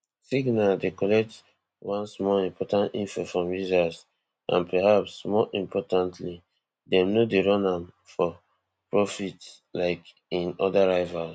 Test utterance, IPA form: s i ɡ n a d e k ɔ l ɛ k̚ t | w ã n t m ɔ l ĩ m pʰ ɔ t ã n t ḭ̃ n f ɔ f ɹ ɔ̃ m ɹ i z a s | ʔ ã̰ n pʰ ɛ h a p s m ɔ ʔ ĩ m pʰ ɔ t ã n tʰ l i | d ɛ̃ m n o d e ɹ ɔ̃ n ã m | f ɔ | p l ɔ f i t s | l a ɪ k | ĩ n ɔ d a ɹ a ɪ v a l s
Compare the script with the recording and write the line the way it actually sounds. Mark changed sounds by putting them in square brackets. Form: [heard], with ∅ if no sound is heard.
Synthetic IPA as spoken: s i ɡ n a d e k ɔ l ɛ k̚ t | w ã n [s] m ɔ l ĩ m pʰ ɔ t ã n t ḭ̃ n f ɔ f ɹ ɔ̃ m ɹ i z a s | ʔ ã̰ n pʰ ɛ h a p s m ɔ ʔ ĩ m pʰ ɔ t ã n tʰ l i | d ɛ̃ m n o d e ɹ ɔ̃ n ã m | f ɔ | p [ɹ] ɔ f i t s | l a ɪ k | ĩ n ɔ d a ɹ a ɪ v a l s